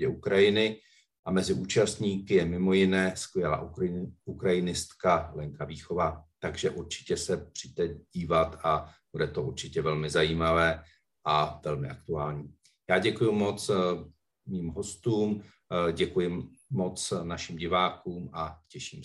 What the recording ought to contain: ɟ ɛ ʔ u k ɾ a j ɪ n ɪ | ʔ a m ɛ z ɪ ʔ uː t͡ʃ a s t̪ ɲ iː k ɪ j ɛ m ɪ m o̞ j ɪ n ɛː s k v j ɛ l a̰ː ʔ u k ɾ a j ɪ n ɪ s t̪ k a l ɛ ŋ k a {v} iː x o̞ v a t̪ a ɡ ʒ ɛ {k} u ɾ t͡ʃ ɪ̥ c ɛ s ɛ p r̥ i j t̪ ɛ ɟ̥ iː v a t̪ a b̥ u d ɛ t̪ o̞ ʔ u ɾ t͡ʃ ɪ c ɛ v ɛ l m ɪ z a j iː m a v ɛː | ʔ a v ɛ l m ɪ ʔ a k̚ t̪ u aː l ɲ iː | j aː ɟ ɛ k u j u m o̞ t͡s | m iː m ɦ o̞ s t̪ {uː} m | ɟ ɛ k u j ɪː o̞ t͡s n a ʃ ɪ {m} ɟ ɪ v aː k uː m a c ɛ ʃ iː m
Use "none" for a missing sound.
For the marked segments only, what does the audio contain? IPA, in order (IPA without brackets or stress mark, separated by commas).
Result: v, ʔ, uː, m